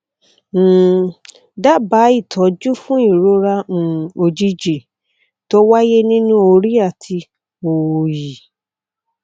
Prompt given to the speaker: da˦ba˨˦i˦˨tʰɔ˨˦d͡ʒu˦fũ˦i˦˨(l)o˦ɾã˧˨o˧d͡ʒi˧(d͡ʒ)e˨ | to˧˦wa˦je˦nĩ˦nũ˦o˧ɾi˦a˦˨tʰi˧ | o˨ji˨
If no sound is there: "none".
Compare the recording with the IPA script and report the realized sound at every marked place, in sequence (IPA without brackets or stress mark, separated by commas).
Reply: ɾ, d͡ʒ